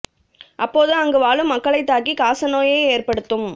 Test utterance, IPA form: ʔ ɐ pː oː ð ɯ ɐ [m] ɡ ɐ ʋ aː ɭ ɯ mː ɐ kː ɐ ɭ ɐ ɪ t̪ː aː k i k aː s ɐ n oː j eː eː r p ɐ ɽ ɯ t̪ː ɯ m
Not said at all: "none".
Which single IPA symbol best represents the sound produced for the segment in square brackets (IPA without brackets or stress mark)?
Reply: ŋ